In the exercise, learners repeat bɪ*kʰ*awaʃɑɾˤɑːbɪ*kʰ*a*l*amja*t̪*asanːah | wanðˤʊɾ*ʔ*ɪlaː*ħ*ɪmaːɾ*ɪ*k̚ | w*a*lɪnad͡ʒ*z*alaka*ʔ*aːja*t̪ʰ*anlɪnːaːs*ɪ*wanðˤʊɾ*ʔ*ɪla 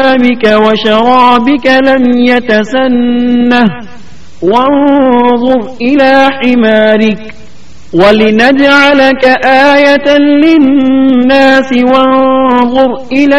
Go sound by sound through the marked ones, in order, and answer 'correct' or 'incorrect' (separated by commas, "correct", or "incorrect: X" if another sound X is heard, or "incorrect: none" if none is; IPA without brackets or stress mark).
incorrect: k, incorrect: k, correct, correct, correct, correct, correct, correct, incorrect: ʕ, correct, incorrect: t̪, correct, correct